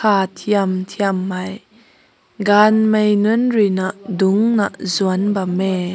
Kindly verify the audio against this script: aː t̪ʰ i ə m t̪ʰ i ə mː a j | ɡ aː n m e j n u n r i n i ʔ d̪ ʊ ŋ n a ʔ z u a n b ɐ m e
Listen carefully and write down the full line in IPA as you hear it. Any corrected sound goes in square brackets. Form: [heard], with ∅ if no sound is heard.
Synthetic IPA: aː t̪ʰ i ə m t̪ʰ i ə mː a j | ɡ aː n m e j n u n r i n [a] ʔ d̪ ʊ ŋ n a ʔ z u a n b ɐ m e